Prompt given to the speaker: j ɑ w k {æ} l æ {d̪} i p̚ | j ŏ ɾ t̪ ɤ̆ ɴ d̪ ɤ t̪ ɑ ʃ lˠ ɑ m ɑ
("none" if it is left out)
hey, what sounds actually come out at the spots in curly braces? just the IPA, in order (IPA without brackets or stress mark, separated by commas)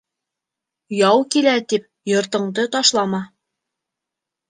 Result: i, t̪